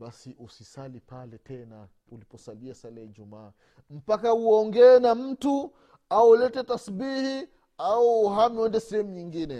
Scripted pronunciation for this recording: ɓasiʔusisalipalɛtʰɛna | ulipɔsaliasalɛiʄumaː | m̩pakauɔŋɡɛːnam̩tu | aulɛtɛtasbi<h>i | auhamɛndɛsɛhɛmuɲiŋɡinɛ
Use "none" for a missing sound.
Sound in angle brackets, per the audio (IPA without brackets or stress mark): h